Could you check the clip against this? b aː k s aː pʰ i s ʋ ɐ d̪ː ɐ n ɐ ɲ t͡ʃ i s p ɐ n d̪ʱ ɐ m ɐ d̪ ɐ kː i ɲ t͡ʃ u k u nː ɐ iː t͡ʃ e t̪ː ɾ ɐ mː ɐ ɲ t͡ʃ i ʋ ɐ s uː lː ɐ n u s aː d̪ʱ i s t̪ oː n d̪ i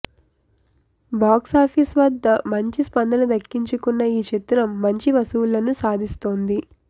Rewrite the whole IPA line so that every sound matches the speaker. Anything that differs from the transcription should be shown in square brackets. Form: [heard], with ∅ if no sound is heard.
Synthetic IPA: b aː k s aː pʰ i s ʋ ɐ d̪ː ɐ [m] ɐ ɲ t͡ʃ i s p ɐ n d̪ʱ ɐ [n] ɐ d̪ ɐ kː i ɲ t͡ʃ u k u nː ɐ iː t͡ʃ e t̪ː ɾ ɐ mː ɐ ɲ t͡ʃ i ʋ ɐ s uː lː ɐ n u s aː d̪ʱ i s t̪ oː n d̪ i